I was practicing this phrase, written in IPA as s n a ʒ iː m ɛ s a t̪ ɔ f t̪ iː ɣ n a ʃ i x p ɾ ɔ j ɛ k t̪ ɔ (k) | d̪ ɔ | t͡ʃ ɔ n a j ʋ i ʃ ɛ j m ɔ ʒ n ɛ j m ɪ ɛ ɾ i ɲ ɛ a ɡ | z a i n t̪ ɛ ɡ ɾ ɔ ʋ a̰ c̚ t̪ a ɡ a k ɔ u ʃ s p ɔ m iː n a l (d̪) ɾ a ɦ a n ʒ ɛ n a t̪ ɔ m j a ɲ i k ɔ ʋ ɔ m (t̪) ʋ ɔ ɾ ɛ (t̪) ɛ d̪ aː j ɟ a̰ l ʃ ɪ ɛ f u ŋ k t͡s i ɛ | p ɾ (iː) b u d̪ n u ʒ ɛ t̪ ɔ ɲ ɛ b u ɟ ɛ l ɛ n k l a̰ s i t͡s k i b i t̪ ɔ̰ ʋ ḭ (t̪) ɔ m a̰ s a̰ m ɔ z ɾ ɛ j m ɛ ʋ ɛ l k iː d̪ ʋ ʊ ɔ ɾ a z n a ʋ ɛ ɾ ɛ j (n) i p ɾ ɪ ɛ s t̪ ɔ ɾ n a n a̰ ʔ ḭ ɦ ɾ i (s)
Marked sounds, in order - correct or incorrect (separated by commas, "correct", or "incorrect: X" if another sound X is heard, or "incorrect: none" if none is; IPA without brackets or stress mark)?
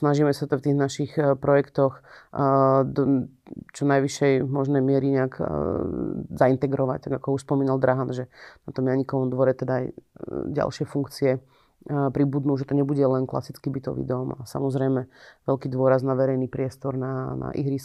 incorrect: x, correct, incorrect: d̪, correct, incorrect: i, incorrect: d̪, correct, correct